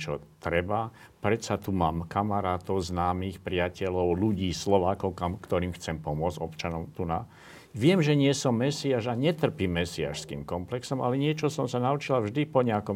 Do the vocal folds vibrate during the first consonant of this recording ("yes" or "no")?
no